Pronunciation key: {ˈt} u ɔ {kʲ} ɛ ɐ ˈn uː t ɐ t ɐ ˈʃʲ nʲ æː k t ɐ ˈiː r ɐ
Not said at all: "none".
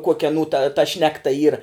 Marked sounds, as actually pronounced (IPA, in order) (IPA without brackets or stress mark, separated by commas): k, kʲ